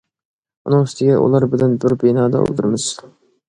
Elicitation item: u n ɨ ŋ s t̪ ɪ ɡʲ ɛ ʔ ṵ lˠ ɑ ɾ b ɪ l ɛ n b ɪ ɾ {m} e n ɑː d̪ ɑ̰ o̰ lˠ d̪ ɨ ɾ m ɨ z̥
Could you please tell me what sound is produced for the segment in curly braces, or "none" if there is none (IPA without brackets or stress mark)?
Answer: b